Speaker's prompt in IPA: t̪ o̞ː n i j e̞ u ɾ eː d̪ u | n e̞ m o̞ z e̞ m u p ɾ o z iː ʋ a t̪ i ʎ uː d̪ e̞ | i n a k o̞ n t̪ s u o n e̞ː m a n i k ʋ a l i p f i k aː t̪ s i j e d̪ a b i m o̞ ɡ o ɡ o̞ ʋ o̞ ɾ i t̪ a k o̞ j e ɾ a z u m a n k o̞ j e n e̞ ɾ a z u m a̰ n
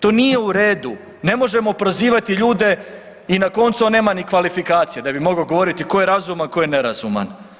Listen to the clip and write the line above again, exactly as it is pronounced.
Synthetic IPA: t̪ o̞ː n i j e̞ u ɾ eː d̪ u | n e̞ m o̞ ʒ e̞ m o p ɾ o z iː ʋ a t̪ i ʎ uː d̪ e̞ | i n a k o̞ n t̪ s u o n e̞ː m a n i k ʋ a l i f i k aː t̪ s i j e d̪ a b i m o̞ ɡ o ɡ o̞ ʋ o̞ ɾ i t̪ i k o̞ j e ɾ a z u m a n k o̞ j e n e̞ ɾ a z u m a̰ n